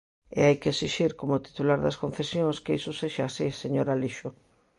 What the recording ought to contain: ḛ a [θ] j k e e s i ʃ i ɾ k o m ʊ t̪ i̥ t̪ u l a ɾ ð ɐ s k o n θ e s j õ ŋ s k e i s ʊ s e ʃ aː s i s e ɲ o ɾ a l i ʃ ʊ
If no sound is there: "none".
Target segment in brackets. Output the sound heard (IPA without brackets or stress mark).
none